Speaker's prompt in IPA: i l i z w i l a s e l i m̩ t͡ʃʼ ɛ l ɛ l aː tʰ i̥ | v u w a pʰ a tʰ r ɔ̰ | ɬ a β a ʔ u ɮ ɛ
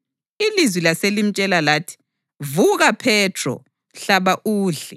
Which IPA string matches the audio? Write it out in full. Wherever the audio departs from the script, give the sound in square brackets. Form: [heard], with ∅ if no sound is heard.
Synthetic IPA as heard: i l i z w i l a s e l i m̩ t͡ʃʼ ɛ l [a] l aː tʰ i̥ | v u [ɣ] a pʰ [ɛ] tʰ r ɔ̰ | ɬ a β a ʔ [uː] ɮ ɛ